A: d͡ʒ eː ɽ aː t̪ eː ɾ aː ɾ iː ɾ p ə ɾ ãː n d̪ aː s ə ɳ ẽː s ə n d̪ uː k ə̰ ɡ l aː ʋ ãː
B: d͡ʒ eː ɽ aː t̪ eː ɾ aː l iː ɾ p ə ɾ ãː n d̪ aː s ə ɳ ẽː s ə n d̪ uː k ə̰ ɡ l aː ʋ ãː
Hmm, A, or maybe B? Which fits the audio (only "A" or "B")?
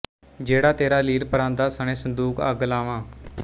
B